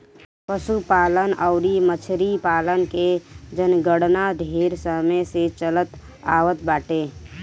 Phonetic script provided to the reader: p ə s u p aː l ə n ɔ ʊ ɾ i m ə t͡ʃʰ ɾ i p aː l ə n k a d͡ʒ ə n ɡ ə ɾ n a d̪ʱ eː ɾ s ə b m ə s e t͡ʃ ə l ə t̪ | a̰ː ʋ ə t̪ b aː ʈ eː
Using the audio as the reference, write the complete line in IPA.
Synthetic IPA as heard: p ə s u p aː l ə n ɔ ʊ ɾ i m ə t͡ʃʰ ɾ i p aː l ə n k e d͡ʒ ə n ɡ ə ɽ n a d̪ʱ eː ɾ s ə m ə s e t͡ʃ ə l ə t̪ | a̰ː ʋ ə t̪ b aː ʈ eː